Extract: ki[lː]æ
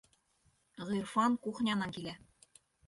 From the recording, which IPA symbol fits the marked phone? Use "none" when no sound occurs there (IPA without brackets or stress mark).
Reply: l